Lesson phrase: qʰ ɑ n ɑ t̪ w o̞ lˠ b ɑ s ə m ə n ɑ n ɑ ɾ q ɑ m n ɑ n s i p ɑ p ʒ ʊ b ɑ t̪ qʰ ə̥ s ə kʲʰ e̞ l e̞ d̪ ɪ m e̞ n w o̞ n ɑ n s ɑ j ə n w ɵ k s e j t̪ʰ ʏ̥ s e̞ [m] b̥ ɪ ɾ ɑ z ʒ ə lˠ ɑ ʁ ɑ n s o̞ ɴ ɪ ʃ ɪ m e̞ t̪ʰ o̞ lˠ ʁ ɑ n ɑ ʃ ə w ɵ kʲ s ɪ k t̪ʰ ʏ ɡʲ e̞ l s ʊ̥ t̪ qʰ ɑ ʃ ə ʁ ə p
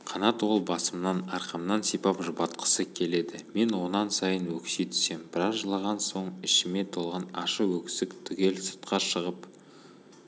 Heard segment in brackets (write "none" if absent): m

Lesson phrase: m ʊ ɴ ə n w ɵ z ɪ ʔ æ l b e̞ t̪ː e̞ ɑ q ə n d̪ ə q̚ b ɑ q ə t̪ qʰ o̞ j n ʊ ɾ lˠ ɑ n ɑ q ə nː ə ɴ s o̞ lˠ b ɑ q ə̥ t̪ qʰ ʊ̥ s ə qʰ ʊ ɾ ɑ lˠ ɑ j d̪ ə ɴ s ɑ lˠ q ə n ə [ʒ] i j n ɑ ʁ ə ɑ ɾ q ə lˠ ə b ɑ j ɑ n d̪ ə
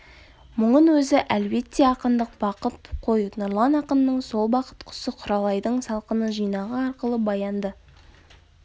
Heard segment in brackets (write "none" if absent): ʒ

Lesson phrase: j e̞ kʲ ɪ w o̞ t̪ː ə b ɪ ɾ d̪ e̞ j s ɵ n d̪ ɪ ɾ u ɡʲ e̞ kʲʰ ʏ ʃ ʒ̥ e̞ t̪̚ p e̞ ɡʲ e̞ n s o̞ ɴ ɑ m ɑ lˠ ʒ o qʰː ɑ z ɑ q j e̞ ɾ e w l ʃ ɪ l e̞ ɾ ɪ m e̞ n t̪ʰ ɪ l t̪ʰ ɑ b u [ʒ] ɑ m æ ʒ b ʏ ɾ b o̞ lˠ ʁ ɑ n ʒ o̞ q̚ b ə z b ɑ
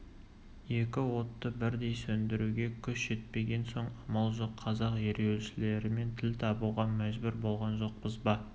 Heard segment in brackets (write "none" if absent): ʁ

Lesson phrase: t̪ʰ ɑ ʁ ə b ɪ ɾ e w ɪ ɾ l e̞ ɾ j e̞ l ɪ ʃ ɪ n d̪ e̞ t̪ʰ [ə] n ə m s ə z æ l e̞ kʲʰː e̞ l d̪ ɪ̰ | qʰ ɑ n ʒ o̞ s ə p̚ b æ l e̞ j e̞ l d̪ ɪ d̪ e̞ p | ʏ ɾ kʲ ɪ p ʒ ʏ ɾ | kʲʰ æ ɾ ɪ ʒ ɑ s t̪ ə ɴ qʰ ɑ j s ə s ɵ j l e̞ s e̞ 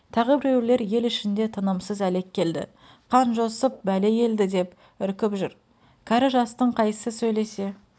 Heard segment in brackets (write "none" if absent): ə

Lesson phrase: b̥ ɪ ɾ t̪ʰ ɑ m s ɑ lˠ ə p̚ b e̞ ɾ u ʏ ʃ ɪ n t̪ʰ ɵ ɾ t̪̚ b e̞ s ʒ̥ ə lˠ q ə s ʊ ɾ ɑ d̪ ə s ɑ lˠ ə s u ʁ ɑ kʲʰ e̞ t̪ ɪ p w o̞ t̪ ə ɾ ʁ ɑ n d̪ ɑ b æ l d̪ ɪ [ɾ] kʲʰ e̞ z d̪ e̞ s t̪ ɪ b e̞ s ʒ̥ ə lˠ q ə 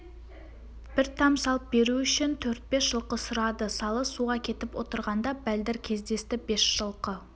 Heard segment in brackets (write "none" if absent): ɾ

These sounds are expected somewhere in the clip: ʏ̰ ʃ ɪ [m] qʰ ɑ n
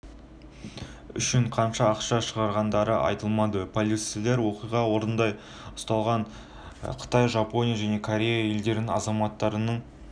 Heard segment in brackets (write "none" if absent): ɴ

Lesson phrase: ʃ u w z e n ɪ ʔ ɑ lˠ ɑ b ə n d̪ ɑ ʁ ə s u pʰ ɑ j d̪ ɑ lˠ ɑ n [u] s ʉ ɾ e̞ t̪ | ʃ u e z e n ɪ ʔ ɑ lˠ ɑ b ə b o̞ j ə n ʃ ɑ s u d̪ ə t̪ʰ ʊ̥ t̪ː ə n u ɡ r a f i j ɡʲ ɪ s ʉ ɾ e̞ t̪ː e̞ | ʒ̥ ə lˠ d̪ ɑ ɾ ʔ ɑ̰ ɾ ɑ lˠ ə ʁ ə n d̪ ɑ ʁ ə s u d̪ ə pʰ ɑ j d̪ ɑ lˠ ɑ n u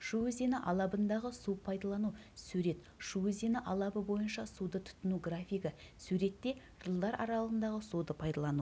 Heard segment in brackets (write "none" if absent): u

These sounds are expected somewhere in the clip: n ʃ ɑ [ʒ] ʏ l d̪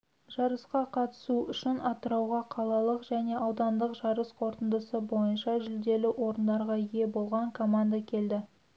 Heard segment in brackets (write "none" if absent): ʒ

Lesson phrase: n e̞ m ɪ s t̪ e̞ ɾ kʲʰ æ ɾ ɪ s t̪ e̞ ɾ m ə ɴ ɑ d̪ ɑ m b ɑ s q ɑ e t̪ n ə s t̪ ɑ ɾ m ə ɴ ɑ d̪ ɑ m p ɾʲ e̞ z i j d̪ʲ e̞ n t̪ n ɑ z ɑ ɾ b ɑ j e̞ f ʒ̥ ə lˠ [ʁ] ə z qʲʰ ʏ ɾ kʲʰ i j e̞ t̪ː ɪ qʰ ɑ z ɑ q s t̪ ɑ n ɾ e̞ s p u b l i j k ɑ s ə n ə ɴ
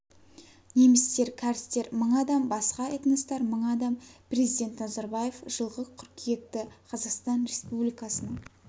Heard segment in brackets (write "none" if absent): ʁ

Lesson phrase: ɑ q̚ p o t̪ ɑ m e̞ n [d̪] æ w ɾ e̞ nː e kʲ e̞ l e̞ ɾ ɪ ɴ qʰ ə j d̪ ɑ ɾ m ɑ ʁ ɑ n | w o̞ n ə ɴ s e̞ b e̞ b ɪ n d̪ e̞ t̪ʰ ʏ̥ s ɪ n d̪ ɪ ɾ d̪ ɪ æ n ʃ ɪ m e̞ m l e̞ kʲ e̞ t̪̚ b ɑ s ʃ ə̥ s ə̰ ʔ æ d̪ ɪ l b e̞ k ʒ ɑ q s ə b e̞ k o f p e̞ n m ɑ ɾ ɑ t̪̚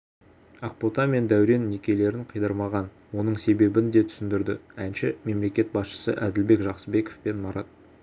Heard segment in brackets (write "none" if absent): d̪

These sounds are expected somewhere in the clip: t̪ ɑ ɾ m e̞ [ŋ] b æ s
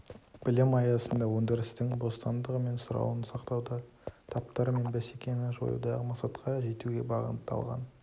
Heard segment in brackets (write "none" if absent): n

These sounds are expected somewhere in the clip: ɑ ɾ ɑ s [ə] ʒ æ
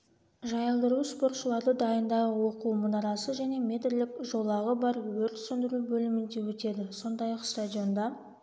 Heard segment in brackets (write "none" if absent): ə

